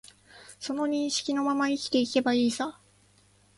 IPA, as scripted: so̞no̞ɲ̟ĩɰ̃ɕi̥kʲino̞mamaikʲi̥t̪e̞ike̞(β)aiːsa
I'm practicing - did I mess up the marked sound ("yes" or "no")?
yes